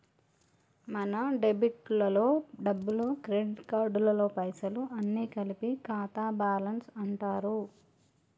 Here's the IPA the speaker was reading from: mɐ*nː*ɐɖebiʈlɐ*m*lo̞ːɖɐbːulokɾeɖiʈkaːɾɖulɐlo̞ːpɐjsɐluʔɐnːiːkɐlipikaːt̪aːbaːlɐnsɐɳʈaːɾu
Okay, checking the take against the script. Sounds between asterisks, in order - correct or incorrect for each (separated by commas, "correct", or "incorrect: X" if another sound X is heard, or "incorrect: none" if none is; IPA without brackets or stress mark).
incorrect: n, incorrect: none